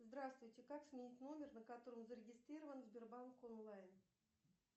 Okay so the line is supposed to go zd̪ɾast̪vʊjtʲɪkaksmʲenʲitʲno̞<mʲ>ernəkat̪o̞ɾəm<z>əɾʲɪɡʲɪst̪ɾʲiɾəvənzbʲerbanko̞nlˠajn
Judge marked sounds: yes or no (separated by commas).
yes, yes